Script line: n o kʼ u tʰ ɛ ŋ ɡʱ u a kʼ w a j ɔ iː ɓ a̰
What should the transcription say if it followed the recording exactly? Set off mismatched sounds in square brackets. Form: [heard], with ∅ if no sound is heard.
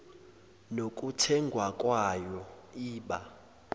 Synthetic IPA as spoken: n o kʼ u tʰ ɛ ŋ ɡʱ [w] a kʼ w a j ɔ iː ɓ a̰